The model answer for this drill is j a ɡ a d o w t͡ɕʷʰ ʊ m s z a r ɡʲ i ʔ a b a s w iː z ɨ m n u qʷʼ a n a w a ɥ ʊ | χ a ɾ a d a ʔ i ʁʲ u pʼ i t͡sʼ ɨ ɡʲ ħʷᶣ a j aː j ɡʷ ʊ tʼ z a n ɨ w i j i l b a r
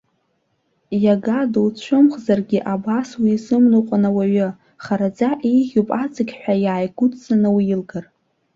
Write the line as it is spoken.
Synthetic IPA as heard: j a ɡ a d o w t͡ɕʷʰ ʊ m χ z a r ɡʲ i ʔ a b a s w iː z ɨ m n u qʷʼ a n a w a ɥ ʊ | χ a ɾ a d͡z a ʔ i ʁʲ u pʼ a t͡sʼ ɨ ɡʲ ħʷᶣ a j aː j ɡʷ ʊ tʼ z a n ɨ w i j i l ɡ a r